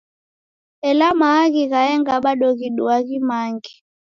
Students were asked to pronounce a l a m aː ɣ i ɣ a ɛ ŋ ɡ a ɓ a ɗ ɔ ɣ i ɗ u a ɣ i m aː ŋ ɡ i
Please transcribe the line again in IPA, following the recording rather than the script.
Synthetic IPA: ɛ l a m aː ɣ i ɣ a ɛ ŋ ɡ a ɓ a ɗ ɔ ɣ i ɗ u a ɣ i m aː ŋ ɡ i